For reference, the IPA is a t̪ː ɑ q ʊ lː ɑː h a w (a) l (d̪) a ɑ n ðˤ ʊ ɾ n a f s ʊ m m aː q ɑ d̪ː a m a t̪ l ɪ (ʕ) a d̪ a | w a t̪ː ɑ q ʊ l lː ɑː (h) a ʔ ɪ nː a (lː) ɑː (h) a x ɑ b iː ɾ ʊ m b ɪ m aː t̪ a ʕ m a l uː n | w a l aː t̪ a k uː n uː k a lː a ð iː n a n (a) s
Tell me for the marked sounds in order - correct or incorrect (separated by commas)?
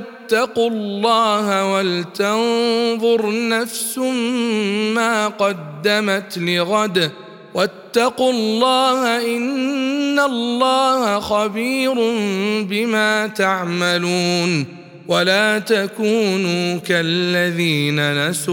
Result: correct, incorrect, incorrect, correct, correct, correct, correct